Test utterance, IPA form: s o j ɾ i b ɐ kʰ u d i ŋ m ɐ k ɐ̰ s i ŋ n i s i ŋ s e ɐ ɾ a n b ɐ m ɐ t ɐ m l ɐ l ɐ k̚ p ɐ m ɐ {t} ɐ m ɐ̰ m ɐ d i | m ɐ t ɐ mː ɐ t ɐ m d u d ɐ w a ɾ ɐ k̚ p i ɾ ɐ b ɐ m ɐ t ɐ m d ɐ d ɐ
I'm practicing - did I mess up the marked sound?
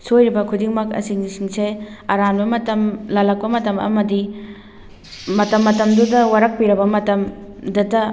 no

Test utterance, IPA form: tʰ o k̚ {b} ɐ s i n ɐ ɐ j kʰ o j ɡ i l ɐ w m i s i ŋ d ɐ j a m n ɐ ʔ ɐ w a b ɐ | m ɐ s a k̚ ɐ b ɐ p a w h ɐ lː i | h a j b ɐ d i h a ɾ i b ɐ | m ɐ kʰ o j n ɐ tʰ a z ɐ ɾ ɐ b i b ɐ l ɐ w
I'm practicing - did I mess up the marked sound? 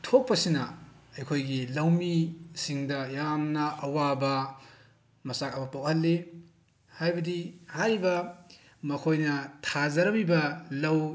yes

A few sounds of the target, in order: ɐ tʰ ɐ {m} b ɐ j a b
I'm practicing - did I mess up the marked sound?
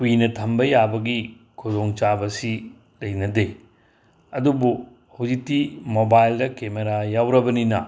no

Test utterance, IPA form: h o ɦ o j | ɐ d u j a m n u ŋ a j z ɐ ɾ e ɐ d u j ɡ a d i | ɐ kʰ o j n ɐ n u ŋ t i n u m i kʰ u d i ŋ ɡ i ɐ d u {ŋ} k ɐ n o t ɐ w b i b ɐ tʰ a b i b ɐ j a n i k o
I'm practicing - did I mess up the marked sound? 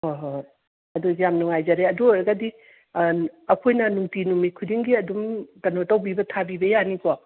yes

